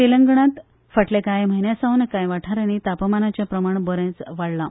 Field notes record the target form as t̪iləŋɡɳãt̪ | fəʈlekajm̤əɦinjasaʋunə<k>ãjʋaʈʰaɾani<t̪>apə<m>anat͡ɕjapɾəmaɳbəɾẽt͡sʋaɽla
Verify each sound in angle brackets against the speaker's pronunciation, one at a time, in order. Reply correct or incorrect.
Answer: correct, correct, correct

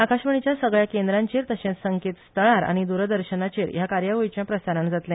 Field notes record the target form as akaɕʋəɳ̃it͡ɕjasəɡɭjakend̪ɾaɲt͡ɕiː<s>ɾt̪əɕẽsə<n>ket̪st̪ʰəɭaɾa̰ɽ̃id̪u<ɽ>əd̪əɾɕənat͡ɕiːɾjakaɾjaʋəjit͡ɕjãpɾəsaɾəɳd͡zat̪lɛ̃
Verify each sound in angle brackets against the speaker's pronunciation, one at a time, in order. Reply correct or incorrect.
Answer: incorrect: none, incorrect: ŋ, incorrect: ɾ

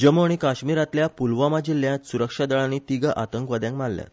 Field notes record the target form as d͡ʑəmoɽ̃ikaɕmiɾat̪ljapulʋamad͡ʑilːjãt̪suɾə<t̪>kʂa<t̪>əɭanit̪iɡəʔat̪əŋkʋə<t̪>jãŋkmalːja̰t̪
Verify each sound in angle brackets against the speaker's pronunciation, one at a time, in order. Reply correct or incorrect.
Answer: incorrect: none, incorrect: d̪, incorrect: d̪

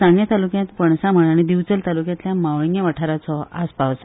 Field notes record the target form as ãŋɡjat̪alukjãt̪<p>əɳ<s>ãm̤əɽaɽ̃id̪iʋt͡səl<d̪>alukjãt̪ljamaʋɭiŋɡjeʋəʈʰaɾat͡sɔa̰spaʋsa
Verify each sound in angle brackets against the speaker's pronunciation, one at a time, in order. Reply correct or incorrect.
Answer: correct, correct, incorrect: t̪

